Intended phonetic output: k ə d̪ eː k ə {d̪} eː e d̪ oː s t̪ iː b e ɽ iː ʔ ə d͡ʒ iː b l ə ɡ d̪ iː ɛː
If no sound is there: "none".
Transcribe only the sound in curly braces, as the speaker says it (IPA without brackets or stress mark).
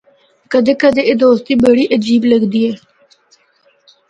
d̪